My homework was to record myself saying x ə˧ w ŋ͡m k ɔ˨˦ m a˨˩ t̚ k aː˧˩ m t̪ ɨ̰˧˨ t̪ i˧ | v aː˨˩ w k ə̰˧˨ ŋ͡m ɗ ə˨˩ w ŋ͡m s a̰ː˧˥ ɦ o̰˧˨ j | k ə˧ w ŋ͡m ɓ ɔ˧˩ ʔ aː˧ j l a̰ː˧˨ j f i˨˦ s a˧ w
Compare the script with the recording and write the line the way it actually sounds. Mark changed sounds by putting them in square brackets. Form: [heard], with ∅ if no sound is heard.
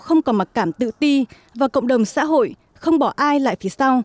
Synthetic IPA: x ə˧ w ŋ͡m k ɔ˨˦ m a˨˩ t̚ k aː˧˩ m t̪ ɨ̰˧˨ t̪ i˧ | v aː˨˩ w k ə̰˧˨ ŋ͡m ɗ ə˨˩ w ŋ͡m s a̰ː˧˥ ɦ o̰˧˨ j | [x] ə˧ w ŋ͡m ɓ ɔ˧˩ ʔ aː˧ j l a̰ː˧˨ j f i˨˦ s a˧ w